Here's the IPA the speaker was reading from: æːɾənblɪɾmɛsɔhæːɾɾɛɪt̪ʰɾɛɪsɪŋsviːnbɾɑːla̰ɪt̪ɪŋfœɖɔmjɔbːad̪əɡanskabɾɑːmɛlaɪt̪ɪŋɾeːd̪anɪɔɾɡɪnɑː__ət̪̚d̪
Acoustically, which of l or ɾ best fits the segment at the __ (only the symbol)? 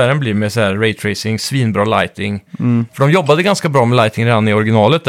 l